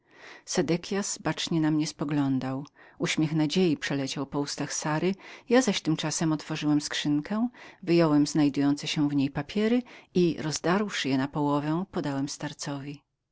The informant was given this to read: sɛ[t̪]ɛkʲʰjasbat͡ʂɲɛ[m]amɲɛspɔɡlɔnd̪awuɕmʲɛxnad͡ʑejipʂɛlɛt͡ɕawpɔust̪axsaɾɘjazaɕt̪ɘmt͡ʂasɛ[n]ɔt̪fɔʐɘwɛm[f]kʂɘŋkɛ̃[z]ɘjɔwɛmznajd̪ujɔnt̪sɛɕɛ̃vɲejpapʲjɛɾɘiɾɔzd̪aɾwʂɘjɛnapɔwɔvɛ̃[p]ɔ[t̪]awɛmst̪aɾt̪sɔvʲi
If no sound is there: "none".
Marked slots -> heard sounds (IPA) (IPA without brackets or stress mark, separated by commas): d̪, n, m, s, v, p, d̪